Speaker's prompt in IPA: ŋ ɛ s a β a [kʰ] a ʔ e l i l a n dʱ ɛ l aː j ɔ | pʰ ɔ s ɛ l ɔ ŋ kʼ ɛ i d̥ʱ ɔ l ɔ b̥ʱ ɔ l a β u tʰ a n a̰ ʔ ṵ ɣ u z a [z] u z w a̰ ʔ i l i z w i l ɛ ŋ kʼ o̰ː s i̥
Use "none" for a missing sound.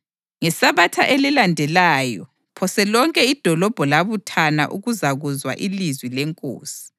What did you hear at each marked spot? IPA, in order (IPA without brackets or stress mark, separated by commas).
tʰ, ɣ